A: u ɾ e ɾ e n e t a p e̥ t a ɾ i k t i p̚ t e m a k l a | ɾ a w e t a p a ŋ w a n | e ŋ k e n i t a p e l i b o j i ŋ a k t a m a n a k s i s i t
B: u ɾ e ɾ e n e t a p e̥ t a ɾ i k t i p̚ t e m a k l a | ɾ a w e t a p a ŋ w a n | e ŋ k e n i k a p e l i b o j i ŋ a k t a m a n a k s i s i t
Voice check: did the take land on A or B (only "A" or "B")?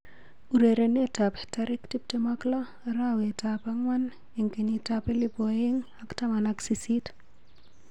A